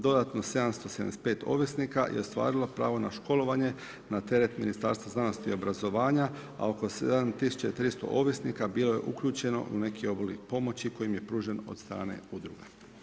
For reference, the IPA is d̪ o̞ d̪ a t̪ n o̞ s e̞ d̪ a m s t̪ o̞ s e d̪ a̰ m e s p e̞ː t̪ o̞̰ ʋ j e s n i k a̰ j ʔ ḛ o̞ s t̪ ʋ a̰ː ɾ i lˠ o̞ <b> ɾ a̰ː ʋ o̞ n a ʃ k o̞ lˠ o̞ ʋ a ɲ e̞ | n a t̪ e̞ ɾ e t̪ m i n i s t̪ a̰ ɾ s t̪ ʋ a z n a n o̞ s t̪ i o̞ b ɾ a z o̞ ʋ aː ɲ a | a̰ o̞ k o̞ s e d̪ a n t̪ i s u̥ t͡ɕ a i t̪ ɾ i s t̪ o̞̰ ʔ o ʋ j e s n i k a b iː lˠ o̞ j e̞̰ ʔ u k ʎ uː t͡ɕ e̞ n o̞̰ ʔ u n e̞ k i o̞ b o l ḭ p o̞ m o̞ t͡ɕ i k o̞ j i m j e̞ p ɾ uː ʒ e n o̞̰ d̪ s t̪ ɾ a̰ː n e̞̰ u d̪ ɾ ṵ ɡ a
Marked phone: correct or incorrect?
incorrect